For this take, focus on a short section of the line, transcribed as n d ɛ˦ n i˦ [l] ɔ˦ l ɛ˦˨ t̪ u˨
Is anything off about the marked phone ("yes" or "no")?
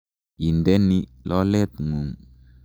no